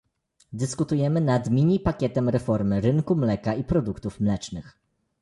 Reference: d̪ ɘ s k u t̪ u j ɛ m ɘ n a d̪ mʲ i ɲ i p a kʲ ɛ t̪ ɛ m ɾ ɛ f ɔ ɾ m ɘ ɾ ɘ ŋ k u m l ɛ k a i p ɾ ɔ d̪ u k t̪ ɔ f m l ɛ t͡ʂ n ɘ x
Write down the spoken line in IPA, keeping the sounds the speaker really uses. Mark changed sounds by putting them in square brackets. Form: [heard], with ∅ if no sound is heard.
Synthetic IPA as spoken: d̪ ɘ s k u t̪ u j ɛ m ɘ n a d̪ mʲ i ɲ i p a kʲ ɛ t̪ ɛ m ɾ ɛ f ɔ ɾ m ɘ ɾ ɘ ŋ k u m l ɛ k a i p ɾ ɔ d̪ u k t̪ [u] f m l ɛ t͡ʂ n ɘ x